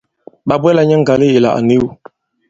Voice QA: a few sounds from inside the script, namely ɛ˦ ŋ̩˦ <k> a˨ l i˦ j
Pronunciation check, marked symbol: incorrect: ɡ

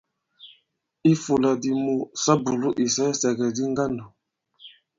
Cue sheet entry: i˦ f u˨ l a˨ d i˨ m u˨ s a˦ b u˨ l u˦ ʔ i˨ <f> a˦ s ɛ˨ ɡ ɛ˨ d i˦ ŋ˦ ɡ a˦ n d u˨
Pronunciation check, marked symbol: incorrect: s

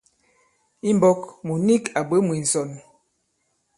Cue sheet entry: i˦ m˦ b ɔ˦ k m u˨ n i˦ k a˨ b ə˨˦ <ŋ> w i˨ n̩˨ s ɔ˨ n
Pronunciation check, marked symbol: incorrect: m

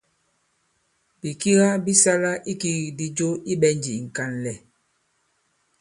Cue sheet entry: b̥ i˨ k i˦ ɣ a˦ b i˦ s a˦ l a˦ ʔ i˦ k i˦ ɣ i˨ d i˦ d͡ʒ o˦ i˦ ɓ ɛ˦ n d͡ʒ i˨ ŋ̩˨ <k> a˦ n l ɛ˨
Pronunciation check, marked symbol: correct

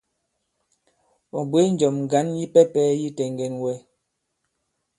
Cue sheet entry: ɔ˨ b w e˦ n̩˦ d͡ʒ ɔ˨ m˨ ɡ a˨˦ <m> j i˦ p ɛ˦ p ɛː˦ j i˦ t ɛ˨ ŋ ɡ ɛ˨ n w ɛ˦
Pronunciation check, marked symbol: incorrect: n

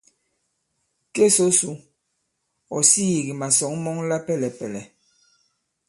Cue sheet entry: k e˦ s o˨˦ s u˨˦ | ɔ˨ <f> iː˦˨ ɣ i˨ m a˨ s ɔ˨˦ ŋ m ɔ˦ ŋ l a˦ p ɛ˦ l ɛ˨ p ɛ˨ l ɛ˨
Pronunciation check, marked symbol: incorrect: s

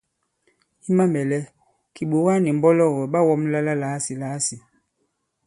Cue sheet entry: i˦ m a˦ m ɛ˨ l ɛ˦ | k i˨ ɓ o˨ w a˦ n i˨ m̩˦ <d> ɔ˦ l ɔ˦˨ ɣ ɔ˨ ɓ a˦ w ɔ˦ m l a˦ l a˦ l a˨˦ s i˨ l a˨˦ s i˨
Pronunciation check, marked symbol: incorrect: b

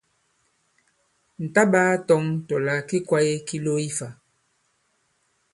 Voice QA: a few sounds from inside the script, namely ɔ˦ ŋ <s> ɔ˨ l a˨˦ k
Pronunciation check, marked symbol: incorrect: t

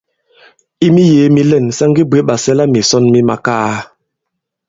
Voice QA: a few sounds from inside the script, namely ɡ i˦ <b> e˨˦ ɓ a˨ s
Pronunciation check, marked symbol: correct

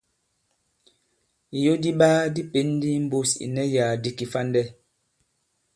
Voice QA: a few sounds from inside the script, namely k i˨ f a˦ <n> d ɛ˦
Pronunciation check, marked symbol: correct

